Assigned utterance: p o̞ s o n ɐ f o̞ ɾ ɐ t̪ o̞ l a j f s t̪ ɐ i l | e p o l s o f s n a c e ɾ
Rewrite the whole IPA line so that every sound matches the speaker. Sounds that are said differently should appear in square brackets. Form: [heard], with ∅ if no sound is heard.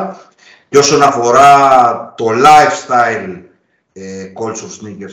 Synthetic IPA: [c] o̞ s o n ɐ f o̞ ɾ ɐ t̪ o̞ l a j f s t̪ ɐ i l | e [k] o l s o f s n [i] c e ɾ